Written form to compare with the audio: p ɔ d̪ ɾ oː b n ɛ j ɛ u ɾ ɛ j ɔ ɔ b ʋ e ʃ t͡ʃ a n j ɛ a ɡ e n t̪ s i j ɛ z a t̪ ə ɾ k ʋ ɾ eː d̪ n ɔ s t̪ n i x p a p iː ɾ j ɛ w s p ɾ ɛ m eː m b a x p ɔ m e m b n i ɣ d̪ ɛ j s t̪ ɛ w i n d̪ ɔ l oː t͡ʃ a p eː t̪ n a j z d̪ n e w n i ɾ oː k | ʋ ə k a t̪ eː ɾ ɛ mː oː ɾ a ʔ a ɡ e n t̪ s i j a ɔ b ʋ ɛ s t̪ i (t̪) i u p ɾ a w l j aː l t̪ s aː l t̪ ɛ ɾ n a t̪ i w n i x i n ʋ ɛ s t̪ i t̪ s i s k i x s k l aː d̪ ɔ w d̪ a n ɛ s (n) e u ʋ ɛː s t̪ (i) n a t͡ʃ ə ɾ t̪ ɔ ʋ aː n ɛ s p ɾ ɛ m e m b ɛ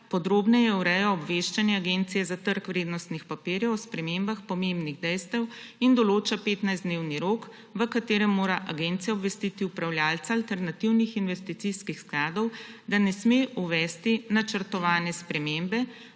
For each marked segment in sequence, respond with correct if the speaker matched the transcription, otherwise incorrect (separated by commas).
correct, incorrect, correct